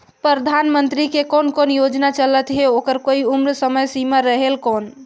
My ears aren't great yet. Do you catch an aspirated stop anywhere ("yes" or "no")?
no